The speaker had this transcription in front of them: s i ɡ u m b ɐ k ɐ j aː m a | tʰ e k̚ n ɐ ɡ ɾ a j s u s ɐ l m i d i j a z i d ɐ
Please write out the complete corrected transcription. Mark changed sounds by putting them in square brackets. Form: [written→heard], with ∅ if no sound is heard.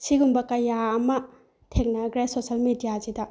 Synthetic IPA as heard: s i ɡ u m b ɐ k ɐ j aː m [a→ɐ] | tʰ e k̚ n ɐ ɡ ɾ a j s [u→o] s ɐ l m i d i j a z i d ɐ